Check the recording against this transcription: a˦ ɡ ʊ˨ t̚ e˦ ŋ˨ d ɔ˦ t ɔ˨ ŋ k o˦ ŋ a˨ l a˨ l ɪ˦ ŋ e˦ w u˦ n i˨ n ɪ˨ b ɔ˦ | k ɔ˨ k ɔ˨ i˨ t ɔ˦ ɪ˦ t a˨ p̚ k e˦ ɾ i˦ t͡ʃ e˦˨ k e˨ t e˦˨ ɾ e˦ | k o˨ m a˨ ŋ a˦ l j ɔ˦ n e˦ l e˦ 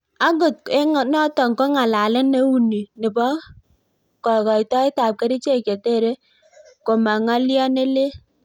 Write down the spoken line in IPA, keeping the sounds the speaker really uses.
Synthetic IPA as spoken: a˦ ɡ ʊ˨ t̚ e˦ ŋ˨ n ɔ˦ t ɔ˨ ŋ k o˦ ŋ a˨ l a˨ l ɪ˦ n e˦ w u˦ n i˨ n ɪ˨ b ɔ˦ | k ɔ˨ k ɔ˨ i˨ t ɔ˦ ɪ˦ t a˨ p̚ k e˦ ɾ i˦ t͡ʃ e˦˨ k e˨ t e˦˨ ɾ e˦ | k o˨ m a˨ ŋ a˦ l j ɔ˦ n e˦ l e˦